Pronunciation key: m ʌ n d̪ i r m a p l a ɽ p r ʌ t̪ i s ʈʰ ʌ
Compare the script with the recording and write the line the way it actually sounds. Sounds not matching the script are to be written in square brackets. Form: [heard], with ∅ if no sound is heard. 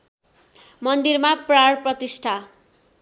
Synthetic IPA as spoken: m ʌ n d̪ i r m a p [r] a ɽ p r ʌ t̪ i s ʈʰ [a]